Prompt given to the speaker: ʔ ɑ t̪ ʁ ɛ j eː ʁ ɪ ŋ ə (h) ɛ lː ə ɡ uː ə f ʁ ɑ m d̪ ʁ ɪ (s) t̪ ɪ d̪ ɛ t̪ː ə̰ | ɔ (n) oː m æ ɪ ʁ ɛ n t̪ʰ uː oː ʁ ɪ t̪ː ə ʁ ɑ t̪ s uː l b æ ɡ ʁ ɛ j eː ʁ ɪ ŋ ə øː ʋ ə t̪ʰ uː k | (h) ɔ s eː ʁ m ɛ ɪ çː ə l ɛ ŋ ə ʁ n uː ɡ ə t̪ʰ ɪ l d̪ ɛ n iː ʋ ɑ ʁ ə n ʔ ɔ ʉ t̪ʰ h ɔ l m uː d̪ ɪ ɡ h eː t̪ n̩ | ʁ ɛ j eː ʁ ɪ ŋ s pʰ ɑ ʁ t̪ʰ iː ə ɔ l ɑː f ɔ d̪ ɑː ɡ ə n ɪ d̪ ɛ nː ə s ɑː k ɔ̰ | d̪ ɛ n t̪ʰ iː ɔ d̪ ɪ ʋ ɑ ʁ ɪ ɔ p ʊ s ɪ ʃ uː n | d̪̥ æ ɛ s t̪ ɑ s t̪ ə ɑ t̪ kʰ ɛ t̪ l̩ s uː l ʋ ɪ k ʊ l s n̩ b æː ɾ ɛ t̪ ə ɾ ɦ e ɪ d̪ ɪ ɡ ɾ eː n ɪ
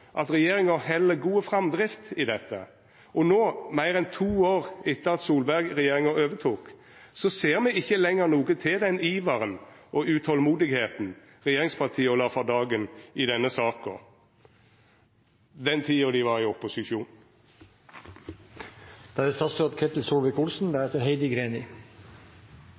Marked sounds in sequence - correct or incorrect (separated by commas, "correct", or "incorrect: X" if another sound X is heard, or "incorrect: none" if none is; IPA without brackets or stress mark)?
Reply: correct, incorrect: f, correct, incorrect: s